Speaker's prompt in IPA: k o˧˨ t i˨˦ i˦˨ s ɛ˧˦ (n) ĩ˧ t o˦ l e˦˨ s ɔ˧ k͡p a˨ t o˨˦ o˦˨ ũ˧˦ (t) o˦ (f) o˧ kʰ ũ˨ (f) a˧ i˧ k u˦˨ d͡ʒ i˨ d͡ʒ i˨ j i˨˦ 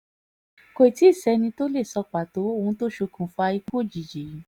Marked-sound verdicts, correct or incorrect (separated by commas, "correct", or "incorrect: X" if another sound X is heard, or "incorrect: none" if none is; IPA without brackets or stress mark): correct, correct, incorrect: ʃ, correct